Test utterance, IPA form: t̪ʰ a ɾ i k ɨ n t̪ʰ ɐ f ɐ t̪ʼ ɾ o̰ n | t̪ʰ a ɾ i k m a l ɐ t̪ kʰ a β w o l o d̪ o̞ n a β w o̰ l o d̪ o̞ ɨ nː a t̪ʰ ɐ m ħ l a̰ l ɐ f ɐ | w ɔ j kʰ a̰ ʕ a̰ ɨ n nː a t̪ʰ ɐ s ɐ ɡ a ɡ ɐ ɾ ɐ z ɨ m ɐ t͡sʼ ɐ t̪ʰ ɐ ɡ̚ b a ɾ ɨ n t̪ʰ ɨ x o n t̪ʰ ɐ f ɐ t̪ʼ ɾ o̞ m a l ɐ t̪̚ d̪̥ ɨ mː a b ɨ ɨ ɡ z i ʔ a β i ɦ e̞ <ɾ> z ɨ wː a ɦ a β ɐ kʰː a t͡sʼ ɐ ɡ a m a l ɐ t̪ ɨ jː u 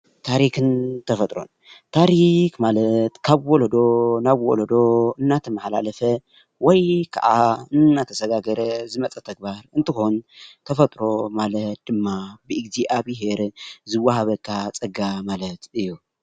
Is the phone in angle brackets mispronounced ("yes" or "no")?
no